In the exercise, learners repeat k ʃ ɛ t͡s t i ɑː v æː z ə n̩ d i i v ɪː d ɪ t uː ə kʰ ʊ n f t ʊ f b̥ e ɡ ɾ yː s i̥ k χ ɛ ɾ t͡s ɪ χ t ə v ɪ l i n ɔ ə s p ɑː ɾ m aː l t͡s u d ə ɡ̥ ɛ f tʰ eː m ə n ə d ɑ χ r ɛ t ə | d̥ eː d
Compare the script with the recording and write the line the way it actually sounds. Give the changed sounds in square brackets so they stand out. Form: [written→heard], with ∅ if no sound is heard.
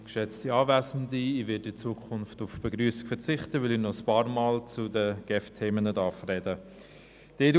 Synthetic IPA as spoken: k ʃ ɛ t͡s t i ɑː v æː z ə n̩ d i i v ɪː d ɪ [t→t͡s] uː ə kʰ ʊ n f t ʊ f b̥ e ɡ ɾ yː s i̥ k [χ→f] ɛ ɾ t͡s ɪ χ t ə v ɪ l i n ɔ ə s p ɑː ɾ m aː l t͡s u d ə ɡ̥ ɛ f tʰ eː m ə n ə d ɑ [χ→f] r ɛ [t→d] ə | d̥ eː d

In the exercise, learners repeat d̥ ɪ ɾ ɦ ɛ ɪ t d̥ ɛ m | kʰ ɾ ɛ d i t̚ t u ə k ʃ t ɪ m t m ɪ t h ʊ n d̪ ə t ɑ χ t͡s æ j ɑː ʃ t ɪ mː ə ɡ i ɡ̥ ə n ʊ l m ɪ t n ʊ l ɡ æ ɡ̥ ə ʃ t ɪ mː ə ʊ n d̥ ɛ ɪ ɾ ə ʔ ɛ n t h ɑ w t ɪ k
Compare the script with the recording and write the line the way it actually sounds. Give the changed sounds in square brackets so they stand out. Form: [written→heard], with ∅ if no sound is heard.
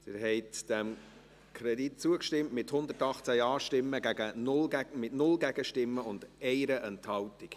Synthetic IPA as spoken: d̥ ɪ ɾ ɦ ɛ ɪ t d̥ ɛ m | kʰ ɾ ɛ d i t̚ [t→t͡s] u ə k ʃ t ɪ m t m ɪ t h ʊ n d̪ ə t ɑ χ t͡s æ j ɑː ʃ t ɪ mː ə ɡ [i→æ] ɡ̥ ə n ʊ l m ɪ t n ʊ l ɡ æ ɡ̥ ə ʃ t ɪ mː ə ʊ n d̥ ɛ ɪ ɾ ə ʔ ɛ n t h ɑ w t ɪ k

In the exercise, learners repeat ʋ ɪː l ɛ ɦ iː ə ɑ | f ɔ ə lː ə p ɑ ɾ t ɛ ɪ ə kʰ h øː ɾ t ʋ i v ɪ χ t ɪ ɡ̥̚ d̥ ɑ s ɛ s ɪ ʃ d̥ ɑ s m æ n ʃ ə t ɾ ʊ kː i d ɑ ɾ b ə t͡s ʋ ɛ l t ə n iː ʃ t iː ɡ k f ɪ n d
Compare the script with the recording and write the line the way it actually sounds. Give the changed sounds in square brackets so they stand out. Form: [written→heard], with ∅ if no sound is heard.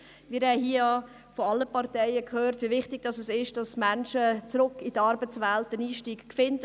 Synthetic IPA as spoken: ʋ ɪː [l→ɾ] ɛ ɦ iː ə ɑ | f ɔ [ə→ɑ] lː ə p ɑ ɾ t ɛ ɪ ə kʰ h øː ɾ t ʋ i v ɪ χ t ɪ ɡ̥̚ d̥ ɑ s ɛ s ɪ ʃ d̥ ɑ s m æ n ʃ ə [t→t͡s] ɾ ʊ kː i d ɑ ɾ b ə t͡s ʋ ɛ l t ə n iː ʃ t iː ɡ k f ɪ n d

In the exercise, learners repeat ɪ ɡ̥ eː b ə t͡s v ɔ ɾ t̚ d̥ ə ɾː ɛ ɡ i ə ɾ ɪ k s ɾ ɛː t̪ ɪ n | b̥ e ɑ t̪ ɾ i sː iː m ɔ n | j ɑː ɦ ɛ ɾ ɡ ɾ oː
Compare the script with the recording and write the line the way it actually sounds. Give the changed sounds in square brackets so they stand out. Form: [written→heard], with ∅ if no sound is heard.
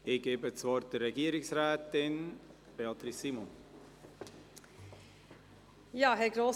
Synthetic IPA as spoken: ɪ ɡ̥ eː b ə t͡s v ɔ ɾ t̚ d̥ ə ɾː ɛ ɡ i ə ɾ ɪ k s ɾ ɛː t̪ ɪ n | b̥ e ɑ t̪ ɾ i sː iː m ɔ n | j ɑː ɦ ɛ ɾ ɡ ɾ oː

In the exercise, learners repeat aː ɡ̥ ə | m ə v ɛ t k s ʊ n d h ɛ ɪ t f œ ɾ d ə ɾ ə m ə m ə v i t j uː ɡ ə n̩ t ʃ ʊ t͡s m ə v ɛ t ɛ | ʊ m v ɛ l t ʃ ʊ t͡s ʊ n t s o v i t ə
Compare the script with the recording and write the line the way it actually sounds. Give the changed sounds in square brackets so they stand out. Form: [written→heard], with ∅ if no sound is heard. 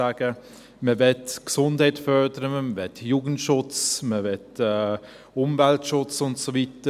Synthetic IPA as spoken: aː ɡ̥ ə | m ə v ɛ t k s ʊ n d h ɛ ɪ t f œ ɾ d ə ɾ ə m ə m ə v [i→ɛ] t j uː ɡ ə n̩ t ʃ ʊ t͡s m ə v ɛ t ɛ | ʊ m v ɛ l t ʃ ʊ t͡s ʊ n t s o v i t ə

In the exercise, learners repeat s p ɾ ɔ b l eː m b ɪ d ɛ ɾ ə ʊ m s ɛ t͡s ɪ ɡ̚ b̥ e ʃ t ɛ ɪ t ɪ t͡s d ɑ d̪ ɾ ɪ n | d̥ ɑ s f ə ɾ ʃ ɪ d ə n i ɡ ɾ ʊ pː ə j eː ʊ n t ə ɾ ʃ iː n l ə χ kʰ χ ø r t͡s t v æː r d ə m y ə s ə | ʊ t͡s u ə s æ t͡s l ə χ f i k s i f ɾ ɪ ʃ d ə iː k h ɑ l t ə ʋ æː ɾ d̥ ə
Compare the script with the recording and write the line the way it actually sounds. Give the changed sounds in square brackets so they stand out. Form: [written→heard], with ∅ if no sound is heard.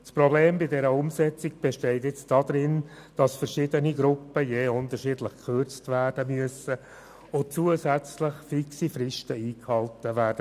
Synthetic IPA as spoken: s p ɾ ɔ b l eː m b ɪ d ɛ ɾ ə ʊ m s ɛ t͡s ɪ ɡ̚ b̥ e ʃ t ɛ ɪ t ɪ t͡s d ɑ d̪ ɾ ɪ n | d̥ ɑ s f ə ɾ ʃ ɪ d ə n i ɡ ɾ ʊ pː ə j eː ʊ n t ə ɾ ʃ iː [n→d] l ə χ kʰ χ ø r t͡s t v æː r d ə m y ə s ə | ʊ t͡s u ə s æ t͡s l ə χ f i k s i f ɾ ɪ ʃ [d→t] ə iː k h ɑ l t ə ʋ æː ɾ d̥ ə

